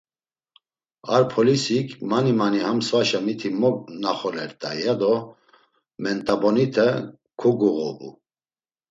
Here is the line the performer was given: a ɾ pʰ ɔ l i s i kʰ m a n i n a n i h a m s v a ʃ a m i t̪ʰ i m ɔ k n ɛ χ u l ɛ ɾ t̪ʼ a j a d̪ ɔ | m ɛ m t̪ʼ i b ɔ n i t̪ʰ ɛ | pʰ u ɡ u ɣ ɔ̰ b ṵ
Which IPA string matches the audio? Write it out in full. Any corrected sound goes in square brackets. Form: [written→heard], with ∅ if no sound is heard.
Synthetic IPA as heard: a ɾ pʰ ɔ l i s i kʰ m a n i [n→m] a n i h a m s v a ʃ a m i t̪ʰ i m ɔ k n [ɛ→a] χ [u→ɔ] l ɛ ɾ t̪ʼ a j a d̪ ɔ | m ɛ [m→n] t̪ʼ [i→a] b ɔ n i t̪ʰ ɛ | [pʰ→kʰ] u ɡ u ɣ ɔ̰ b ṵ